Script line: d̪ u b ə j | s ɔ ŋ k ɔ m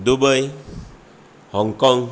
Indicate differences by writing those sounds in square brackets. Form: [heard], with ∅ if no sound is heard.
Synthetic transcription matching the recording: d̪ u b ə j | [h] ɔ ŋ k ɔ [ŋ]